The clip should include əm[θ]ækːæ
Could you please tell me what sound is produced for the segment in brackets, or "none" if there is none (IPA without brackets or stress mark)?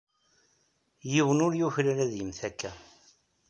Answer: θ